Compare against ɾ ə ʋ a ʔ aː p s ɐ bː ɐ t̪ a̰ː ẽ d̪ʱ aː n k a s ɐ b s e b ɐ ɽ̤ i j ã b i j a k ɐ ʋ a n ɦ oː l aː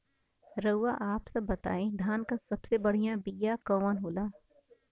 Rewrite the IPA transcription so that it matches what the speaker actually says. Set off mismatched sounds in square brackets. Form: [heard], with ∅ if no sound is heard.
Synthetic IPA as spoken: ɾ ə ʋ a ʔ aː p s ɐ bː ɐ t̪ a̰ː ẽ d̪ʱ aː n k a s ɐ b s e b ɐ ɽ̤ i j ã b i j a k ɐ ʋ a n ɦ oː l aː